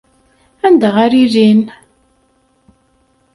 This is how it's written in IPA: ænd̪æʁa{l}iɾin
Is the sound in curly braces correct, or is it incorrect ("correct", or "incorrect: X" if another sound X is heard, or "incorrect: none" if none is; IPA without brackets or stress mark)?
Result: incorrect: ɾ